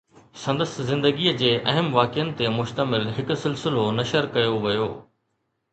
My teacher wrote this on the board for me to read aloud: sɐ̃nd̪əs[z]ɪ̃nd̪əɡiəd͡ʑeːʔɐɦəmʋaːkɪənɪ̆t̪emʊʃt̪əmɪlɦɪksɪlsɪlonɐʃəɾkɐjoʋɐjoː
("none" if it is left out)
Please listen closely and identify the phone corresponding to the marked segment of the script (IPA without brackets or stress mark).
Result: z